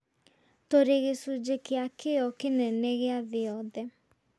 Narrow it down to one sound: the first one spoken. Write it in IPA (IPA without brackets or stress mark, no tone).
t